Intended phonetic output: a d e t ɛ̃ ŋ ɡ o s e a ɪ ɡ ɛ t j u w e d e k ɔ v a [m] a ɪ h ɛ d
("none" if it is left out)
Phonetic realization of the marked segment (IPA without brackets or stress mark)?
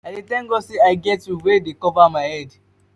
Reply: m